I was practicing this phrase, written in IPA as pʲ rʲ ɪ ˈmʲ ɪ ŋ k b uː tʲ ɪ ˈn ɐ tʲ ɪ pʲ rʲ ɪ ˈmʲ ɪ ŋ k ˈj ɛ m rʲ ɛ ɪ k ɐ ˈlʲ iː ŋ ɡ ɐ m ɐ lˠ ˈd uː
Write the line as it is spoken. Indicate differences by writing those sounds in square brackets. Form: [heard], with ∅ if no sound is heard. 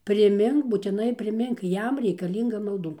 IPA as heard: pʲ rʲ ɪ ˈmʲ ɪ ŋ k b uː tʲ ɪ ˈn ɐ [∅] ɪ pʲ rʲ ɪ ˈmʲ ɪ ŋ k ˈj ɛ m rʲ ɛ ɪ k ɐ ˈlʲ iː ŋ ɡ ɐ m ɐ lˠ ˈd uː

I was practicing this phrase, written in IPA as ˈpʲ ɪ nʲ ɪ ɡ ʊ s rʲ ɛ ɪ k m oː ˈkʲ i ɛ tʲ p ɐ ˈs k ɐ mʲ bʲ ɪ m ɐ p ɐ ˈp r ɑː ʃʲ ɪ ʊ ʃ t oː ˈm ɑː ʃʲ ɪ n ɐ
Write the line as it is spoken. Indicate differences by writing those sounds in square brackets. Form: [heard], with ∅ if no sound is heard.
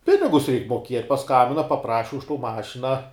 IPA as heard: ˈpʲ ɪ nʲ ɪ ɡ ʊ s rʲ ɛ ɪ k m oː ˈkʲ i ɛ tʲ p ɐ ˈs k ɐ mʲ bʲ ɪ [n] ɐ p ɐ ˈp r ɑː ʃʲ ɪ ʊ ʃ t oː ˈm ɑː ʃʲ ɪ n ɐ

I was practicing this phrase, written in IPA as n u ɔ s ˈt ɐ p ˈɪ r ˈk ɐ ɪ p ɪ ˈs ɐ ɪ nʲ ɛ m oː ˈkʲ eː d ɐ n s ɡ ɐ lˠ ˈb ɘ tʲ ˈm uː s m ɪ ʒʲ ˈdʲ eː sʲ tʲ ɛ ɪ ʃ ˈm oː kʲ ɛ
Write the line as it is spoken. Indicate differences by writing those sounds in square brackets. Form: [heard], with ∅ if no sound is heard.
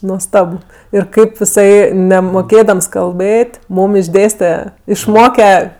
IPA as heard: n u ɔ s ˈt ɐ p ˈɪ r ˈk ɐ ɪ p ɪ ˈs ɐ ɪ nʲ ɛ m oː ˈkʲ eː d ɐ [m] s [k] ɐ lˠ ˈb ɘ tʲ ˈm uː [∅] m ɪ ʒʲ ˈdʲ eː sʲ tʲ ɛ ɪ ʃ ˈm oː kʲ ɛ

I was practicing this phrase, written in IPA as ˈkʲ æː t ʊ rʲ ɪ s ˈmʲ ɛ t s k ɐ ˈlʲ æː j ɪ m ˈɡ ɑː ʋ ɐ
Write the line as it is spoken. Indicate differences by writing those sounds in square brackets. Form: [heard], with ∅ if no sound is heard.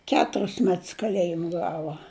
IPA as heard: ˈkʲ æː t ʊ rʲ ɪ s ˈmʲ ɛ t s k ɐ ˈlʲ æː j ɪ m ˈɡ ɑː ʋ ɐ

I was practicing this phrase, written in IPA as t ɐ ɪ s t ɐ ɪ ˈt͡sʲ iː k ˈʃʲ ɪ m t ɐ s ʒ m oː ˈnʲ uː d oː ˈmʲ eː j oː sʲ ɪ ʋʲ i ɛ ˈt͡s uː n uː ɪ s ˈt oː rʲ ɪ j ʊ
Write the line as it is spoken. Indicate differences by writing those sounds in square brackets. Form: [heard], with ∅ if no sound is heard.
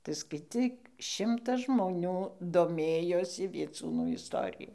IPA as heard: t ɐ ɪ s [k] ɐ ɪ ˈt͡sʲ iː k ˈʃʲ ɪ m t ɐ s ʒ m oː ˈnʲ uː d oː ˈmʲ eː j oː sʲ ɪ ʋʲ i ɛ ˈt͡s uː n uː ɪ s ˈt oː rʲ ɪ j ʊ

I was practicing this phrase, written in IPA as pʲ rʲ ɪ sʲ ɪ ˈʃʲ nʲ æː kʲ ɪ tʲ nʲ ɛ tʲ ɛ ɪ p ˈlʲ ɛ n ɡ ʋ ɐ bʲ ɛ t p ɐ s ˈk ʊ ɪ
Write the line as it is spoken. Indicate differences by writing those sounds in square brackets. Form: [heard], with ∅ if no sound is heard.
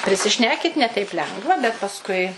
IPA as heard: pʲ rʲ ɪ sʲ ɪ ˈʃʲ nʲ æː kʲ ɪ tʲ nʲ ɛ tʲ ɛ ɪ p ˈlʲ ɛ [ŋ] ɡ ʋ ɐ bʲ ɛ t p ɐ s ˈk ʊ ɪ

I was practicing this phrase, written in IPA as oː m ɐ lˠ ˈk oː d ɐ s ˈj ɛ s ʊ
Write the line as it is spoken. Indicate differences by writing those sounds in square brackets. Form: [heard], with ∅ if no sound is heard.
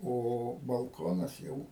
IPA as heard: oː [b] ɐ lˠ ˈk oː [n] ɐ s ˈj ɛ [∅] ʊ

